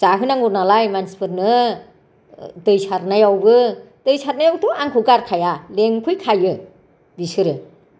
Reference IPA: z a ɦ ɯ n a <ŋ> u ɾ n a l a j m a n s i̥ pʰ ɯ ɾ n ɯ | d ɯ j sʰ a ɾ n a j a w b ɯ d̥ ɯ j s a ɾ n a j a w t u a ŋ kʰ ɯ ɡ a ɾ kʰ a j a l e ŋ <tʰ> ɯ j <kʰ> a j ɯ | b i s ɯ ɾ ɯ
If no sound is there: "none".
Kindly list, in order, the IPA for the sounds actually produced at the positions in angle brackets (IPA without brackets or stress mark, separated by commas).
ŋ, kʰ, kʰ